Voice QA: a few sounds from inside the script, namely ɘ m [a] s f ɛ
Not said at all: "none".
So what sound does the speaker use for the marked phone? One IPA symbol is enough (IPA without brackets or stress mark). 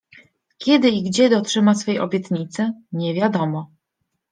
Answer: a